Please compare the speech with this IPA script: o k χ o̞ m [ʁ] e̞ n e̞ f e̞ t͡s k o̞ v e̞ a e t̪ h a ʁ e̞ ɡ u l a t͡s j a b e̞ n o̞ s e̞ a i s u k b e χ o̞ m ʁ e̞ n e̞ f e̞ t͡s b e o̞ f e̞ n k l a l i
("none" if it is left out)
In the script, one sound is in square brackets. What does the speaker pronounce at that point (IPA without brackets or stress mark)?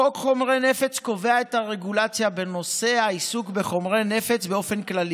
ʁ